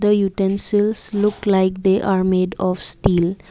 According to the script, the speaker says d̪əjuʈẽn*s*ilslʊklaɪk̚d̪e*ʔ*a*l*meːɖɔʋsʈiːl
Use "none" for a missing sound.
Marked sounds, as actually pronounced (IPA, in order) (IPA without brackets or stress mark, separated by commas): s, ʔ, ɾ